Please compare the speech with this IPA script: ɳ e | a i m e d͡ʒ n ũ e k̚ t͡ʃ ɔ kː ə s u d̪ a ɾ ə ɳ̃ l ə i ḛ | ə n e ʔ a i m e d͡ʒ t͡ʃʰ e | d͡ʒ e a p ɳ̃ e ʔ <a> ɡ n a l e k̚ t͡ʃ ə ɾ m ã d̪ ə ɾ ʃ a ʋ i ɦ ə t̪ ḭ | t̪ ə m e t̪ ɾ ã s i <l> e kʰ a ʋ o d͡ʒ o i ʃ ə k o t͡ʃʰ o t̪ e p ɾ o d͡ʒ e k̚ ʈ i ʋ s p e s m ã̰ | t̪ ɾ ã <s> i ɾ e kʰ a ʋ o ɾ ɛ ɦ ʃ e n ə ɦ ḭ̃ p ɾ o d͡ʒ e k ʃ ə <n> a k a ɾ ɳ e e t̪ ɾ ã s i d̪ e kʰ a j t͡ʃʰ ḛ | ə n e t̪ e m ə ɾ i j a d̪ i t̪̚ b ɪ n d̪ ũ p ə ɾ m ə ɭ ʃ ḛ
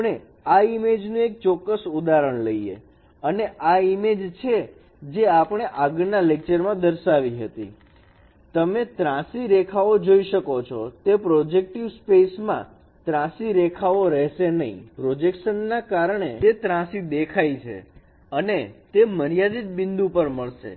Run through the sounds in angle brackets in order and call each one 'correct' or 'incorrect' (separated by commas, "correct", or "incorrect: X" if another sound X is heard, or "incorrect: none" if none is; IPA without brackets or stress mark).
correct, incorrect: ɾ, correct, incorrect: nː